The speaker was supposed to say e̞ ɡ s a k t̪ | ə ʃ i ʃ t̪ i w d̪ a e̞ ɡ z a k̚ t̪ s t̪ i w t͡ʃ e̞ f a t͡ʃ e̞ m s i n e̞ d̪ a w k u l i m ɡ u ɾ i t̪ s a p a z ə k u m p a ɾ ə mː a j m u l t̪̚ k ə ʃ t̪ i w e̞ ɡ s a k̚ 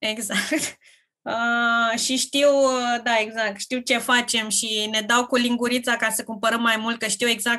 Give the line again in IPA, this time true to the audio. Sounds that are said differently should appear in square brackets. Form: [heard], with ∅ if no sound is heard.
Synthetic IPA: e̞ ɡ [z] a k t̪ | ə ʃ i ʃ t̪ i w d̪ a e̞ ɡ z a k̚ t̪ [ʃ] t̪ i w t͡ʃ e̞ f a t͡ʃ e̞ m [ʃ] i n e̞ d̪ a w k u l i [ŋ] ɡ u ɾ i t̪ s a [k] a [s] ə k u m p [ə] ɾ ə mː a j m u l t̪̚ k ə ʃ t̪ i w e̞ ɡ [z] a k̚